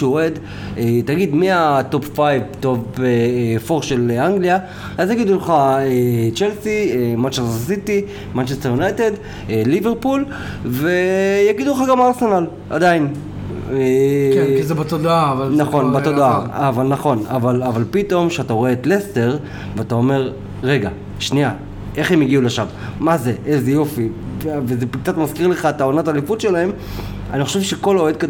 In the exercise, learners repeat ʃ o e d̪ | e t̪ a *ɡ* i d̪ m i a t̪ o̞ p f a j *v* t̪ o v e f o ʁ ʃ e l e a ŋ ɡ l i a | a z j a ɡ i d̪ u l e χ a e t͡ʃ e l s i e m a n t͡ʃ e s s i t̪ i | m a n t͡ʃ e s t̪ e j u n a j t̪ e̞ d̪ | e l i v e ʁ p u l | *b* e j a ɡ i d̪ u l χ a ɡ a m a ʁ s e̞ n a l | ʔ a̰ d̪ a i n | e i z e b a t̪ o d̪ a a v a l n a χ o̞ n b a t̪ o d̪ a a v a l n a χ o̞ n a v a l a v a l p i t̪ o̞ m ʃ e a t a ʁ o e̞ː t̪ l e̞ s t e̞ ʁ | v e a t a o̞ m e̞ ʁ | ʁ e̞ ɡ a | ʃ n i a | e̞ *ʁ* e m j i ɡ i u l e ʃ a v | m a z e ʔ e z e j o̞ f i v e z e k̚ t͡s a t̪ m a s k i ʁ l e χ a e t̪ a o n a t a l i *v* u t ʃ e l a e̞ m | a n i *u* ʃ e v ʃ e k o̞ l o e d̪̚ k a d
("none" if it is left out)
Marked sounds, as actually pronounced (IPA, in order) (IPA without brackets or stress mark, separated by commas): ɡ, v, v, χ, f, o